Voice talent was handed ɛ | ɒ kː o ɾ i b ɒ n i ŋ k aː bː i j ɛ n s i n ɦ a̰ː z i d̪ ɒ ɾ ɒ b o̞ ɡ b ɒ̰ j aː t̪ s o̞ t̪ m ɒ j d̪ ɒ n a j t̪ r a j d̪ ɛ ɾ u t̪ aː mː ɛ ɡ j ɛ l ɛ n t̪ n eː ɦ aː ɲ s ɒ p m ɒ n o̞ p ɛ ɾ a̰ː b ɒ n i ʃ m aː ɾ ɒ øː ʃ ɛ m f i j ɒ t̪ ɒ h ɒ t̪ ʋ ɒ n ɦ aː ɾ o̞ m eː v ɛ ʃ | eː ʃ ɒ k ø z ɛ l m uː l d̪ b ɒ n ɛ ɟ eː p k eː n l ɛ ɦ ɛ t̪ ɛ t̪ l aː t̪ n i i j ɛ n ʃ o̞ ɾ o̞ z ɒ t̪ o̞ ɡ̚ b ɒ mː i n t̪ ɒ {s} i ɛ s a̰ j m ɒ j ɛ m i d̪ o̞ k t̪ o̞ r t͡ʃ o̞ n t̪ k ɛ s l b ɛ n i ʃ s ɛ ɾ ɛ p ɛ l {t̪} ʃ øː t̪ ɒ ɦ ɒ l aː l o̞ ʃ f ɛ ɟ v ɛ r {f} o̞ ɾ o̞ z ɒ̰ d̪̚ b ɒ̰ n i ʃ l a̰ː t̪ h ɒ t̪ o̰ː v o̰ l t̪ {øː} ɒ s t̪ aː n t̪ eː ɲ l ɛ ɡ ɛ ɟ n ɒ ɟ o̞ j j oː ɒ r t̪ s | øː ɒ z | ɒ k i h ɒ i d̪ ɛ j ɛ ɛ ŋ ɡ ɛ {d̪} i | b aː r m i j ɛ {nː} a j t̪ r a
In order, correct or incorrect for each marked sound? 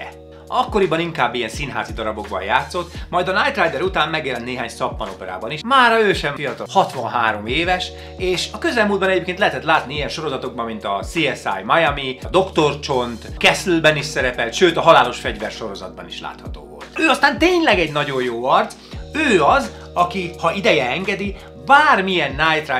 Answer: correct, correct, incorrect, correct, correct, correct

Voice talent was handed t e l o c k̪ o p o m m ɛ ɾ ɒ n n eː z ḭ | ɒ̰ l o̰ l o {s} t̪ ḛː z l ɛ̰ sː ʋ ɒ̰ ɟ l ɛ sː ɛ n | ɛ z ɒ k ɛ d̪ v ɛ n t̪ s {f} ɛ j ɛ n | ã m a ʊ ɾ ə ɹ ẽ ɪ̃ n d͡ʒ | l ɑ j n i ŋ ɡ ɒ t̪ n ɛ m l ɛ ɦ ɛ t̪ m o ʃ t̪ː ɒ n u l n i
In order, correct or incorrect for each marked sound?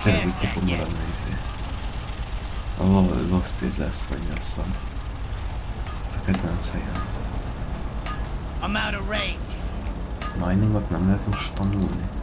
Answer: correct, incorrect

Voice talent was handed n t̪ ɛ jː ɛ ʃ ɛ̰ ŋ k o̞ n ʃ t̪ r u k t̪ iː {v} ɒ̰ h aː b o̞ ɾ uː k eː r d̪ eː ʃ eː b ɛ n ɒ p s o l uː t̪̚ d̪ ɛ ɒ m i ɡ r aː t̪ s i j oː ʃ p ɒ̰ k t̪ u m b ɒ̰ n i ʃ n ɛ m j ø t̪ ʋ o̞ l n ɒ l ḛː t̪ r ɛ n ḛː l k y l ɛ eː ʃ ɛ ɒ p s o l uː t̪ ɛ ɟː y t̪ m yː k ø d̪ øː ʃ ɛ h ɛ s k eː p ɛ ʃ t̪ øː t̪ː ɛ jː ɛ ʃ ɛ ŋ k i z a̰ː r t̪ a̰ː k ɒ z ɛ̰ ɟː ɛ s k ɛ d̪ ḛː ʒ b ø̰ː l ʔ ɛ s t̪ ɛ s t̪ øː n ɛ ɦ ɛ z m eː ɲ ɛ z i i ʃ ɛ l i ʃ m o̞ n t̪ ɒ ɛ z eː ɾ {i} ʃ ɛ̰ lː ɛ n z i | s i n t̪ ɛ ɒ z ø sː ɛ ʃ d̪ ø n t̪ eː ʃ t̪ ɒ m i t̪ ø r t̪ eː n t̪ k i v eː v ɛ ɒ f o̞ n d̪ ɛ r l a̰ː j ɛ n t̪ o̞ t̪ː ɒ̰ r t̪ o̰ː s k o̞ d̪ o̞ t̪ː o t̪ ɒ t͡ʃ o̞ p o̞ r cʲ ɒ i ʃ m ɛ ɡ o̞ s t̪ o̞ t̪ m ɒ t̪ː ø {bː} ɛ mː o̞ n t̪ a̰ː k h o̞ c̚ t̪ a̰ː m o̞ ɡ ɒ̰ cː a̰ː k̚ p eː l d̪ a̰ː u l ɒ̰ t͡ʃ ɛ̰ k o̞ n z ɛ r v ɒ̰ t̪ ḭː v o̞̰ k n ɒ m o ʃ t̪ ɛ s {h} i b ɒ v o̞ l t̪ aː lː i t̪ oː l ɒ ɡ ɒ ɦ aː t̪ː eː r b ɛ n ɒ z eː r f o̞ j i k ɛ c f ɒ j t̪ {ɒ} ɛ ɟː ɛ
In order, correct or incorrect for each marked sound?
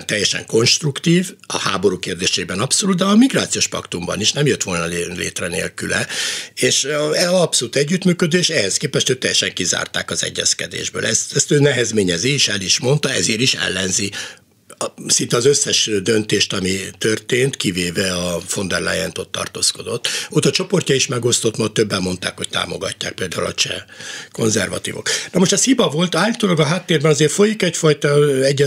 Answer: correct, correct, correct, correct, correct

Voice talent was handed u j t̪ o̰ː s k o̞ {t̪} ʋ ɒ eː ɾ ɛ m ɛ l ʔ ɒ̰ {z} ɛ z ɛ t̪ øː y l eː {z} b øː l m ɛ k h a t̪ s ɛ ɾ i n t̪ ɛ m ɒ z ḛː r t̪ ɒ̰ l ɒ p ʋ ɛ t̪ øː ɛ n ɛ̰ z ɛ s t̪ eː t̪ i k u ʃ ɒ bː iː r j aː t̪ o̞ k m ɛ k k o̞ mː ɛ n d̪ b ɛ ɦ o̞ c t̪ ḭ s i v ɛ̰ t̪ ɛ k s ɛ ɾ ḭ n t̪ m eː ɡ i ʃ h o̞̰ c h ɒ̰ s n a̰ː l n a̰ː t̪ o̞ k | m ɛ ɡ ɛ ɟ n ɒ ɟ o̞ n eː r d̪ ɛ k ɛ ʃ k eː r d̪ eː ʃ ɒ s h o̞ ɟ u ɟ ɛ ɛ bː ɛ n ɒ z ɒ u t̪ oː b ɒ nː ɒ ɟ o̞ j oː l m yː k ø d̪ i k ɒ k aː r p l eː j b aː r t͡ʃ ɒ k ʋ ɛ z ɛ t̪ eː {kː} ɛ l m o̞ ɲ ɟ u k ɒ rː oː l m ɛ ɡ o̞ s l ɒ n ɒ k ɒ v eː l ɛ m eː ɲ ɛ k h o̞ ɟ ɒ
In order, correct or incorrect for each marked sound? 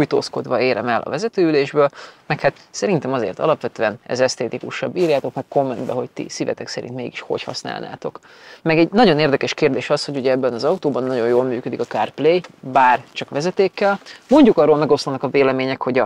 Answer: incorrect, incorrect, incorrect, correct

